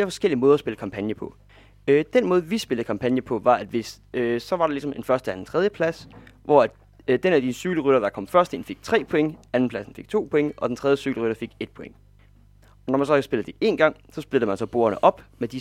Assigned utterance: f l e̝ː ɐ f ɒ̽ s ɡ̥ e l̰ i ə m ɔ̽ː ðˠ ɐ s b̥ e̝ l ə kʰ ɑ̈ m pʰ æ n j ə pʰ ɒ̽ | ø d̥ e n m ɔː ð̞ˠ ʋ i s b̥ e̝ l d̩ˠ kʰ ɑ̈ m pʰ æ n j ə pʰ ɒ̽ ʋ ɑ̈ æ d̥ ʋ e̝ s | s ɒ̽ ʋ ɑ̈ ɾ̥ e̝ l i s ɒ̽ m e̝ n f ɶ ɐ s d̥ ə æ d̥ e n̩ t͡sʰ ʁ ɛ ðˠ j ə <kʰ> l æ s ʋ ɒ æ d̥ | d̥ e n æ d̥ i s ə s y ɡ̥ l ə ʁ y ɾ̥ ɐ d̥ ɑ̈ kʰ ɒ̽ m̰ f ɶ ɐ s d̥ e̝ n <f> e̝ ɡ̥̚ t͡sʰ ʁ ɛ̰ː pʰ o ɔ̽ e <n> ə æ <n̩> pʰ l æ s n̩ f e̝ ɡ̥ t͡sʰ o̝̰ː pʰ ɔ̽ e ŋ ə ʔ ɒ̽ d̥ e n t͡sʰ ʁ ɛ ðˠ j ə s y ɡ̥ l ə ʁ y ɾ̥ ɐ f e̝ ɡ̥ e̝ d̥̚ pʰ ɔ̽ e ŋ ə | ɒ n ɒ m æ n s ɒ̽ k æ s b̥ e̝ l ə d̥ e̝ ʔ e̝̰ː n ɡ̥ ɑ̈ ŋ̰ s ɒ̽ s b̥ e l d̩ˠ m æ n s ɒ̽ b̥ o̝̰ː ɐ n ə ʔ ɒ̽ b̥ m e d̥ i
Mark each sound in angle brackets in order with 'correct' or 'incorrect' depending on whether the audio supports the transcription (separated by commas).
incorrect, correct, incorrect, correct